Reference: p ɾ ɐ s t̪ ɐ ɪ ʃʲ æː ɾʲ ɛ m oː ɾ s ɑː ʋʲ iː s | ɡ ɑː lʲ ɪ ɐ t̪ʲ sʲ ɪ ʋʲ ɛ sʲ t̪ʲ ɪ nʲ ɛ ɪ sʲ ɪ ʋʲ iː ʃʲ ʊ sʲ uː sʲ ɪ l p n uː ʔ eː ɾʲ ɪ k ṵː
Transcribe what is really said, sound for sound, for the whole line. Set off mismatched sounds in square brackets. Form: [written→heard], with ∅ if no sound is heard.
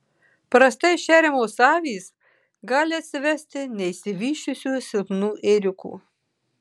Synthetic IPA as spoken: p ɾ ɐ s t̪ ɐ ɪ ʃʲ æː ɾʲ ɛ m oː [ɾ→∅] s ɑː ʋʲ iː s | ɡ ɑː lʲ ɪ ɐ t̪ʲ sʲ ɪ ʋʲ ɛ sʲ t̪ʲ ɪ nʲ ɛ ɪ sʲ ɪ ʋʲ iː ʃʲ ʊ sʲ uː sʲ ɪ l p n uː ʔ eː ɾʲ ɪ k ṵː